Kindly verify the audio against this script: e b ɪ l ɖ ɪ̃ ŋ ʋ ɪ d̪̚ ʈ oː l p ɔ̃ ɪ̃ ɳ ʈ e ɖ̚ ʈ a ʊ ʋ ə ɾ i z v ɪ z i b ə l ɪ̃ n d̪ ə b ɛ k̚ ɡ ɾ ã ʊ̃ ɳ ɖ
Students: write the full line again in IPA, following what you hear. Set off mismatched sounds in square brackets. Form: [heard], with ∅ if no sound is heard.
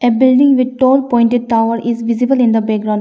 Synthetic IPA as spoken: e b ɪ l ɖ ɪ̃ ŋ ʋ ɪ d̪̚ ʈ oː l p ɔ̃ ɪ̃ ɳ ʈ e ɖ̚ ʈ a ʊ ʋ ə ɾ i z [ʋ] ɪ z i b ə l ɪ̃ n d̪ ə b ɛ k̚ ɡ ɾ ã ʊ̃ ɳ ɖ